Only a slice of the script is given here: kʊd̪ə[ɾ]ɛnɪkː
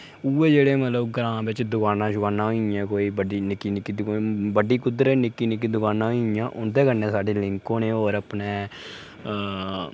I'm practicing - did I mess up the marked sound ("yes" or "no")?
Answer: no